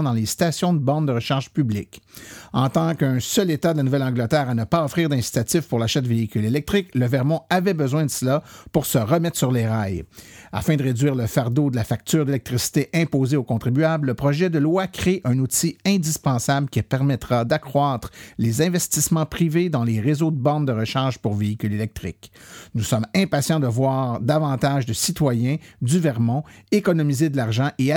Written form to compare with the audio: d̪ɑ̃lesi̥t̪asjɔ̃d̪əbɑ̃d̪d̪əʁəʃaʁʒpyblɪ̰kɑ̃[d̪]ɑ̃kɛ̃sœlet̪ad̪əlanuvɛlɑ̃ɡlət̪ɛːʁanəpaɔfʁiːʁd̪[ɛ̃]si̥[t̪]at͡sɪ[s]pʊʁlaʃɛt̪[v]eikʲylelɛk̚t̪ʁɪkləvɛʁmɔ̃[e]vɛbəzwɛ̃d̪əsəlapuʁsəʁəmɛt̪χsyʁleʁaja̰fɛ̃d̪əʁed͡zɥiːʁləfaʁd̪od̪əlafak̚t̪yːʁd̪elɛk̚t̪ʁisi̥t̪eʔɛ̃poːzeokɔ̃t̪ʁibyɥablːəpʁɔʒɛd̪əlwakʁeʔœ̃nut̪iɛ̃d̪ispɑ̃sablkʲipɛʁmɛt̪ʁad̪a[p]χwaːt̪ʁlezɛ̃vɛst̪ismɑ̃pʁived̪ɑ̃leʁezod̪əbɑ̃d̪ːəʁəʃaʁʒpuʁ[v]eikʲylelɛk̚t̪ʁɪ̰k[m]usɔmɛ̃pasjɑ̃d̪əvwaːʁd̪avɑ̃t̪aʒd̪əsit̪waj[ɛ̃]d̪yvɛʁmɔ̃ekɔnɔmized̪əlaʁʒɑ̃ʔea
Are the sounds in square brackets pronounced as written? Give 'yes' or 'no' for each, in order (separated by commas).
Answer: no, yes, yes, no, yes, no, no, yes, no, yes